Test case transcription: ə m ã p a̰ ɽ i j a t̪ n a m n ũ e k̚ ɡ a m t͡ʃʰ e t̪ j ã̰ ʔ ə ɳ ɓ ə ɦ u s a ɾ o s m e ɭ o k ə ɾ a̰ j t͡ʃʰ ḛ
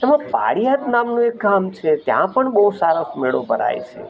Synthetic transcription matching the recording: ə m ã p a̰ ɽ i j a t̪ n a m n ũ e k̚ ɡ a m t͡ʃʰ e t̪ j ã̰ p ə ɳ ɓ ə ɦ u s a ɾ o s m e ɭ o p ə ɾ a̰ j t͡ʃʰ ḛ